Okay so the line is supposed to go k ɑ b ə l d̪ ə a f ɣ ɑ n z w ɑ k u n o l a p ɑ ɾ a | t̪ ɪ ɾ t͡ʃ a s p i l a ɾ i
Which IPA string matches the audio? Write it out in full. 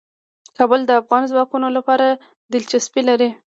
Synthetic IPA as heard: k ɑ b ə l d̪ ə a f ɣ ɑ n z w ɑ k u n o l a p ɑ ɾ a | d̪ ɪ l t͡ʃ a s p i l a ɾ i